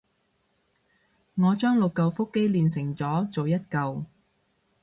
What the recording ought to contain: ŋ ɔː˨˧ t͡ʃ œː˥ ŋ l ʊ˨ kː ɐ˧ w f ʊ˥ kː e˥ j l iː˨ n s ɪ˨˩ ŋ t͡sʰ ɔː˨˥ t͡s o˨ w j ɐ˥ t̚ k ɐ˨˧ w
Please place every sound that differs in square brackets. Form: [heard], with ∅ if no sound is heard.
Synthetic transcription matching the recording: ŋ ɔː˨˧ t͡ʃ œː˥ ŋ l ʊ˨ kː ɐ˧ w f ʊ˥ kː e˥ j l iː˨ n s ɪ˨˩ ŋ [t͡s] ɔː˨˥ t͡s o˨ w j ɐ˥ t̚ k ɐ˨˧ w